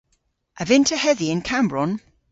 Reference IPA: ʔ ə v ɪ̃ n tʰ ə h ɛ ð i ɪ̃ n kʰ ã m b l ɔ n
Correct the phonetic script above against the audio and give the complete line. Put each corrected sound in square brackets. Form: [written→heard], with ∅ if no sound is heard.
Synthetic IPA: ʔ ə v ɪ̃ n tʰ ə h ɛ ð i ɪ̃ n kʰ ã m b [l→ɹ] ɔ n